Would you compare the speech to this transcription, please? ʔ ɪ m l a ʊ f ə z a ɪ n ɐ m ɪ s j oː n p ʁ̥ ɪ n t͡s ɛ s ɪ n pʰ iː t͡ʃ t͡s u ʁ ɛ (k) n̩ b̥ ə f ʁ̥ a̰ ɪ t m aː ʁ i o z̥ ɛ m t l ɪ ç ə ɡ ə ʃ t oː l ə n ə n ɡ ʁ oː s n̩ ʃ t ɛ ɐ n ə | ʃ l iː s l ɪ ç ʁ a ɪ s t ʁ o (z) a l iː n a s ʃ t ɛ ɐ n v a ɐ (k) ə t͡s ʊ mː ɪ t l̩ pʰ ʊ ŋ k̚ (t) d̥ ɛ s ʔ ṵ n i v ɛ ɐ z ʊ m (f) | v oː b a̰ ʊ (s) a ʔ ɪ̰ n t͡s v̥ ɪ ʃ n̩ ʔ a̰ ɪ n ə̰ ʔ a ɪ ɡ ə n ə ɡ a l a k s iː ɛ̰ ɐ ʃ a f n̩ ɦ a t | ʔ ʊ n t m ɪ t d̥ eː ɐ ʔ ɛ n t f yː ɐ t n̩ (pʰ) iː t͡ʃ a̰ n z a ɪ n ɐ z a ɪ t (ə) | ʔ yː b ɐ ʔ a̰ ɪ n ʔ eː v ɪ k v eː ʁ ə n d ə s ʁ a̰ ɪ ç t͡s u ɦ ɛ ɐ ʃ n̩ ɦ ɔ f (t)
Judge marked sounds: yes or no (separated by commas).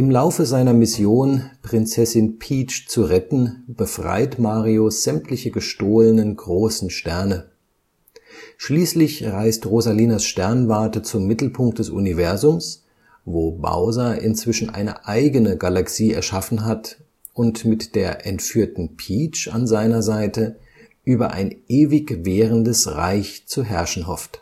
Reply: no, yes, no, yes, no, no, yes, yes, yes